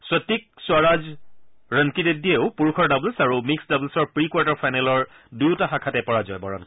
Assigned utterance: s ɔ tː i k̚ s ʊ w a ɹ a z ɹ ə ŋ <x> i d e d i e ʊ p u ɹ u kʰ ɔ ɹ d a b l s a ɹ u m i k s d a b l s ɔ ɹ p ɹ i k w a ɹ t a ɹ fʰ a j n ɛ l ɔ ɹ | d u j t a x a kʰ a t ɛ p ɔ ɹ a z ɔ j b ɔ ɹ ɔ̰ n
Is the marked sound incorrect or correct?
incorrect